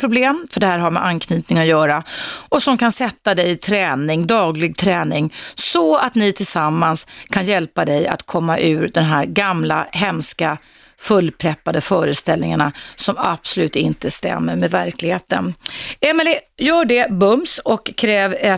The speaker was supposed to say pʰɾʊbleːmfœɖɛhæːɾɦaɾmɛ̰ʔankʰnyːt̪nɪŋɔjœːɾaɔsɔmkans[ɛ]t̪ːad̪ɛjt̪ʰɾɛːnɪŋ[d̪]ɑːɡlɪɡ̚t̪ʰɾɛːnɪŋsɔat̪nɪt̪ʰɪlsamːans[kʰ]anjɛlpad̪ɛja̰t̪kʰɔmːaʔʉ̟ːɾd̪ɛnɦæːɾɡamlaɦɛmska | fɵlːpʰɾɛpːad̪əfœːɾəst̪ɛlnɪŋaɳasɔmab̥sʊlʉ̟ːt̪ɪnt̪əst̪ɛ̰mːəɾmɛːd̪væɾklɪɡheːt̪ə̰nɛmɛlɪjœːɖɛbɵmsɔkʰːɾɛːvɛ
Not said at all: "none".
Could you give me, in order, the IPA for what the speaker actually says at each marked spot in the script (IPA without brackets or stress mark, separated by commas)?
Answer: ɛ, d̪, kʰ